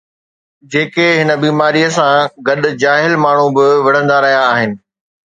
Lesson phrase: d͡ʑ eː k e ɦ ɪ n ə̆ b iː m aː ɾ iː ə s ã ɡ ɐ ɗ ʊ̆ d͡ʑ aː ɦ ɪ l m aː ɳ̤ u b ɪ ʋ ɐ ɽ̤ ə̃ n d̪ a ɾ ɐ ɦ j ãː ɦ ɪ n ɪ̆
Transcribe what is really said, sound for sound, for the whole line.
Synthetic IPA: d͡ʑ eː k e ɦ ɪ n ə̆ b iː m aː ɾ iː ə s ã ɡ ɐ ɗ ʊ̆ d͡ʑ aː ɦ ɪ l m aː ɳ̤ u b ɪ ʋ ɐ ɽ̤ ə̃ n d̪ a ɾ ɐ ɦ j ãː ɦ ɪ n ɪ̆